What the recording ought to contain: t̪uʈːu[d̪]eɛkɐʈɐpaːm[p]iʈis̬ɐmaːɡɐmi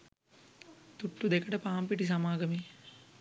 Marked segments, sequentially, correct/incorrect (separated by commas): correct, correct